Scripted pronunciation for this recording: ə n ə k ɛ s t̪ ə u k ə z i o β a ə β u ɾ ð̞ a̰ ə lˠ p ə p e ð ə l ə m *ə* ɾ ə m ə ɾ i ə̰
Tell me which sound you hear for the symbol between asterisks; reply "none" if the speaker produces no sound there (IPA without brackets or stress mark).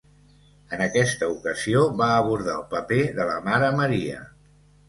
a